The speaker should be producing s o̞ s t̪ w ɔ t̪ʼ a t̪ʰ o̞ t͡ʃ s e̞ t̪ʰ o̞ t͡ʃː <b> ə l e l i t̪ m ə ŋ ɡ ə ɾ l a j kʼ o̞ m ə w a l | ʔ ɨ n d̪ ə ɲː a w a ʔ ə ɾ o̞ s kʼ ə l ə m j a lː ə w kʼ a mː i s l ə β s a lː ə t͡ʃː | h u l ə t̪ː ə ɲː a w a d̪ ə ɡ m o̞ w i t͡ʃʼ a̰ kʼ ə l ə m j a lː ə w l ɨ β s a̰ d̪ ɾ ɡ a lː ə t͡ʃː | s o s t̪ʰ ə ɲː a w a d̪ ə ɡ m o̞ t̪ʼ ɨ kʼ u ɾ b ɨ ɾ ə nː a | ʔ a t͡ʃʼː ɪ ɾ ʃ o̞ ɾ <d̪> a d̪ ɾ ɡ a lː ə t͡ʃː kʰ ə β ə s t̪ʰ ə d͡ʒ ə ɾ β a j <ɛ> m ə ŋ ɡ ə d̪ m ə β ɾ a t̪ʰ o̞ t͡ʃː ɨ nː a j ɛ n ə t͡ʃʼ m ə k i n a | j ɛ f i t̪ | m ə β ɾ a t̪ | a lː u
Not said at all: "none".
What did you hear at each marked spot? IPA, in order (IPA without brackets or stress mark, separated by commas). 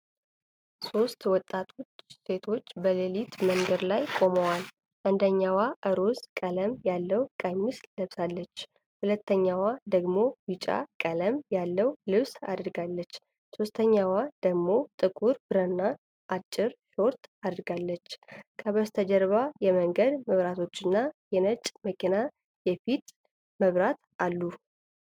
b, t̪, ɛ